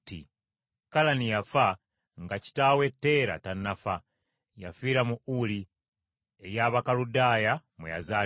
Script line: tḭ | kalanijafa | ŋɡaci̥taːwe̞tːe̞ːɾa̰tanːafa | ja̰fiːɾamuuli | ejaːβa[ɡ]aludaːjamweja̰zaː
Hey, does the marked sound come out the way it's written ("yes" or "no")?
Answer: no